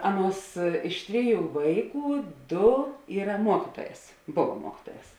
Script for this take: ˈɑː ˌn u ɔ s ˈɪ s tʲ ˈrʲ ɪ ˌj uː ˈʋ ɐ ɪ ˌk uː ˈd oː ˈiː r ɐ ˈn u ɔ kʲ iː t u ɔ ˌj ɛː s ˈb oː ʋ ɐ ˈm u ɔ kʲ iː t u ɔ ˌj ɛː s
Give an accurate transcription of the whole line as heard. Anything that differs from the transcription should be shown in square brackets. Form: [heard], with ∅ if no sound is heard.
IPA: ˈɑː ˌn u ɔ s ˈɪ [ʃ] tʲ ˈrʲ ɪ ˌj uː ˈʋ ɐ ɪ ˌk uː ˈd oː ˈiː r ɐ [ˈm] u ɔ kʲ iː t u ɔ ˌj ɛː s ˈb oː ʋ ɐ ˈm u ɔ kʲ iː t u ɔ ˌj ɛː s